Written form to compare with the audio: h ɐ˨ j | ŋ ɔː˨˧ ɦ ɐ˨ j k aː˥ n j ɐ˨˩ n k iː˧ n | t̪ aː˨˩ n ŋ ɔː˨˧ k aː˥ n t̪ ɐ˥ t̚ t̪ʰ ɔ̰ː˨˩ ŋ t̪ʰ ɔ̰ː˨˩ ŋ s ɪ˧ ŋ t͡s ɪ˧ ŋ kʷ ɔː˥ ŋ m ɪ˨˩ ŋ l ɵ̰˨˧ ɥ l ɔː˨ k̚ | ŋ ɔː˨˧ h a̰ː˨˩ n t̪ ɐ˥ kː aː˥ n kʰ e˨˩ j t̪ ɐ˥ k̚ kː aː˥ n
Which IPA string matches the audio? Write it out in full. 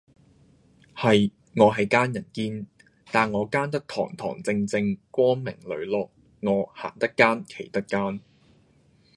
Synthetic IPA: h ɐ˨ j | ŋ ɔː˨˧ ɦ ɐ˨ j k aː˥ n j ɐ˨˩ n k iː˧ n | t̪ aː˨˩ n ŋ ɔː˨˧ k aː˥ n t̪ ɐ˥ k̚ t̪ʰ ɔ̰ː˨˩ ŋ t̪ʰ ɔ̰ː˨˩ ŋ t͡s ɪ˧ ŋ t͡s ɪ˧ ŋ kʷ ɔː˥ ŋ m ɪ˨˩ ŋ l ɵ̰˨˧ ɥ l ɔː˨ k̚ | ŋ ɔː˨˧ h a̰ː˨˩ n t̪ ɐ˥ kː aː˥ n kʰ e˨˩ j t̪ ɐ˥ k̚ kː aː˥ n

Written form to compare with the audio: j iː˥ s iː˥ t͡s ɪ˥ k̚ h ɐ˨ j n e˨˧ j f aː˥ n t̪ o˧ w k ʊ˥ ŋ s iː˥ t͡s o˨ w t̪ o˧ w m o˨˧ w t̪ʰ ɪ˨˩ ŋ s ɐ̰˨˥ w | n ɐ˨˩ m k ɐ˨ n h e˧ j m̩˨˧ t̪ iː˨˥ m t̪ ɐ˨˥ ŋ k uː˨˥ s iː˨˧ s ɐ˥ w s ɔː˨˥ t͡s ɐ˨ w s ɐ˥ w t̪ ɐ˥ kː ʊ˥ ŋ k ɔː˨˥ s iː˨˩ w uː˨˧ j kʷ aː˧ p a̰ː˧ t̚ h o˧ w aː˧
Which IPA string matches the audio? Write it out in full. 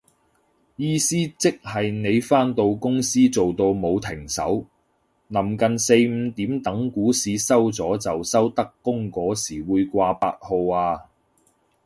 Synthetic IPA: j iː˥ s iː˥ t͡s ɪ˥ k̚ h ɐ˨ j n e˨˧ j f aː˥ n t̪ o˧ w k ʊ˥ ŋ s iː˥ t͡s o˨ w t̪ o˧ w m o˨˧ w t̪ʰ ɪ˨˩ ŋ s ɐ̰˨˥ w | n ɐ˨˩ m k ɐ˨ n s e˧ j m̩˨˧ t̪ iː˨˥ m t̪ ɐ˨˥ ŋ k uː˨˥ s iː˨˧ s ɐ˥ w t͡s ɔː˨˥ t͡s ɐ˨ w s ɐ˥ w t̪ ɐ˥ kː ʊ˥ ŋ k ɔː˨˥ s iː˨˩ w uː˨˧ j kʷ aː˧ p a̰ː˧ t̚ h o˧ w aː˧

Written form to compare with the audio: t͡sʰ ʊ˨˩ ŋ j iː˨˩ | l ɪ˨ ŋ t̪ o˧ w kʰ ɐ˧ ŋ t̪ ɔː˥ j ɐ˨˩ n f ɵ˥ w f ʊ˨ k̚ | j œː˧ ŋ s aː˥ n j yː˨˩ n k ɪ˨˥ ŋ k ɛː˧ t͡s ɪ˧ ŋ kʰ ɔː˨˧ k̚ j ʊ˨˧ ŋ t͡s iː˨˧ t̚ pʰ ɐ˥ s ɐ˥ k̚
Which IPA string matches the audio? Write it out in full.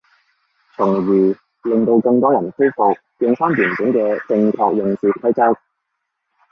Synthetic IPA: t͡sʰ ʊ˨˩ ŋ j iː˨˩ | l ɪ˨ ŋ t̪ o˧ w k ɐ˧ ŋ t̪ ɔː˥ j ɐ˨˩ n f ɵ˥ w f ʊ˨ k̚ | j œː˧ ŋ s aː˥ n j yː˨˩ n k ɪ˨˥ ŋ k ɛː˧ t͡s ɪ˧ ŋ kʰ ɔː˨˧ k̚ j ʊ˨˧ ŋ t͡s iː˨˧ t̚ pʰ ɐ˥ t͡s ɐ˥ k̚

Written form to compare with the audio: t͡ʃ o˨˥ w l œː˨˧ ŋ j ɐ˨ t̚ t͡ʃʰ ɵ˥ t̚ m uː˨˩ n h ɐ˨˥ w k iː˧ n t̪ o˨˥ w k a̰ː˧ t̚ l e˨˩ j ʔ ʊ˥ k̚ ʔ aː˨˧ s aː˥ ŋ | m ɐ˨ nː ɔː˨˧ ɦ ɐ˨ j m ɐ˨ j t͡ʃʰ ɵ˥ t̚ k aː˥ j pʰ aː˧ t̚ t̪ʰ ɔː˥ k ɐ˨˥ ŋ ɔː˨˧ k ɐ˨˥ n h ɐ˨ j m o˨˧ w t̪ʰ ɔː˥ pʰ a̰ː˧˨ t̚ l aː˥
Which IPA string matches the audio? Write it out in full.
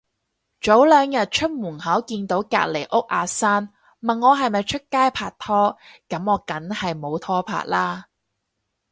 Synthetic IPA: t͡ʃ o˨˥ w l œː˨˧ ŋ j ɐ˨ t̚ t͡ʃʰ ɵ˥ t̚ m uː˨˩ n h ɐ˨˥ w k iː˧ n t̪ o˨˥ w k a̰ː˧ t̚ l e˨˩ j ʔ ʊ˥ k̚ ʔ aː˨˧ s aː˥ n | m ɐ˨ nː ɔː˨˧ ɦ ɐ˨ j m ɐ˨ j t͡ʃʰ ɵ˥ t̚ k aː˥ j pʰ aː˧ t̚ t̪ʰ ɔː˥ k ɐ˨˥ m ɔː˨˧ k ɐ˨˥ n h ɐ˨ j m o˨˧ w t̪ʰ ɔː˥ pʰ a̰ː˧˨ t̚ l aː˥

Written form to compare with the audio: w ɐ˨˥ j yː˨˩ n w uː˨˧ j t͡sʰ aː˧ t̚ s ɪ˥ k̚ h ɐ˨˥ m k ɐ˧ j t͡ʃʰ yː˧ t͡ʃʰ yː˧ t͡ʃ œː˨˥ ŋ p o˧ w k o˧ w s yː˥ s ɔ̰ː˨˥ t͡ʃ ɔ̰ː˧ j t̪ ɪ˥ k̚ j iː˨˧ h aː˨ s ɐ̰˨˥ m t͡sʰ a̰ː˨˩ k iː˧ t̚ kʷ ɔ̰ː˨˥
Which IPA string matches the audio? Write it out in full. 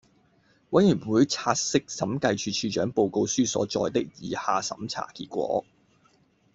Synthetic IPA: w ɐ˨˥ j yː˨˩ n w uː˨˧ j t͡sʰ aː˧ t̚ s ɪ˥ k̚ s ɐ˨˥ m k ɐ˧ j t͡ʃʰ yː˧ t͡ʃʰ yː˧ t͡ʃ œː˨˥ ŋ p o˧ w k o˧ w s yː˥ s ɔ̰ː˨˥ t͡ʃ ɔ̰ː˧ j t̪ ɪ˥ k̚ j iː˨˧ h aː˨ s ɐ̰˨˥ m t͡sʰ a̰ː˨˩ k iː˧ t̚ kʷ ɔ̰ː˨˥

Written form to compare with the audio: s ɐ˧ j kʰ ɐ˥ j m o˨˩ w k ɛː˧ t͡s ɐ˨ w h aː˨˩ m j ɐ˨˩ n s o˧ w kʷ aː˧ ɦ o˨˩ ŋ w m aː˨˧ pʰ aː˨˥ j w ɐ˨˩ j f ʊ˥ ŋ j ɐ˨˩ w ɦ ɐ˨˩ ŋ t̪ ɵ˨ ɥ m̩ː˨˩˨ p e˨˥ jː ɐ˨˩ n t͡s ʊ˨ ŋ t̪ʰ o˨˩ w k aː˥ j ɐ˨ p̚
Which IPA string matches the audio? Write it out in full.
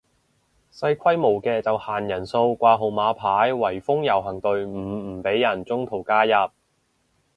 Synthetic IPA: s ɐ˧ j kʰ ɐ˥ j m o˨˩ w k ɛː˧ t͡s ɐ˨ w h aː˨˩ n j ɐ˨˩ n s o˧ w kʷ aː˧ ɦ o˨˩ w m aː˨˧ pʰ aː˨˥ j w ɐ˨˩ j f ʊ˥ ŋ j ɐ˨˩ w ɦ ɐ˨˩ ŋ t̪ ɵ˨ ɥ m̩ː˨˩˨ p e˨˥ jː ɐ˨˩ n t͡s ʊ˥ ŋ t̪ʰ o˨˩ w k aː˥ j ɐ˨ p̚

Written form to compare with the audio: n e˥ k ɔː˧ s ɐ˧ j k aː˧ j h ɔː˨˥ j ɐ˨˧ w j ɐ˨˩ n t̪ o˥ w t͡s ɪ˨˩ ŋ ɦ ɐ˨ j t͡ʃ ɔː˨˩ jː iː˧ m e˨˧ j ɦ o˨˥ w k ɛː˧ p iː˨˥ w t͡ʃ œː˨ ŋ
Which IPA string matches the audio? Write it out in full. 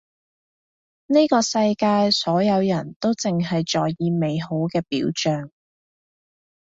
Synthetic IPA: n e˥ k ɔː˧ s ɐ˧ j k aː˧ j s ɔː˨˥ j ɐ˨˧ w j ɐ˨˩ n t̪ o˥ w t͡s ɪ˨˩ ŋ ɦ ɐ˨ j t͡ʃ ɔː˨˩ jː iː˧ m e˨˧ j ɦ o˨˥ w k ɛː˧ p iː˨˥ w t͡ʃ œː˨ ŋ

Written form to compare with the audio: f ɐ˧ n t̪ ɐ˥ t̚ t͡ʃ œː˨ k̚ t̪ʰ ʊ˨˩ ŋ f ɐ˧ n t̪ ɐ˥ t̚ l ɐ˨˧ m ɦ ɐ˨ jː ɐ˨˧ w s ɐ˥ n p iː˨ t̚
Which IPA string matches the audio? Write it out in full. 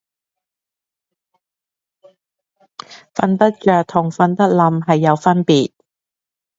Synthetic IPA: f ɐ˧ n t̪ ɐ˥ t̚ t͡ʃ œː˨ k̚ t̪ʰ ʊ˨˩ ŋ f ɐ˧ n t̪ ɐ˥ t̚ l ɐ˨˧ m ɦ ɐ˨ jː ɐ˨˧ w f ɐ˥ n p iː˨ t̚

